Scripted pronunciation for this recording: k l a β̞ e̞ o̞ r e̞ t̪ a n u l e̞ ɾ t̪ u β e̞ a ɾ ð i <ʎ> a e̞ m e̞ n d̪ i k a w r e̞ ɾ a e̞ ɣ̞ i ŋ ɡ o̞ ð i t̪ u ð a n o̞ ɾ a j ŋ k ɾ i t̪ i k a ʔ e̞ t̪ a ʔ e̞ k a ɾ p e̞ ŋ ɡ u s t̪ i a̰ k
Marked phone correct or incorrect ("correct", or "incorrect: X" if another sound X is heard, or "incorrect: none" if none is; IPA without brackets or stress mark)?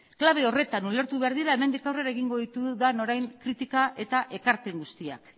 incorrect: ɾ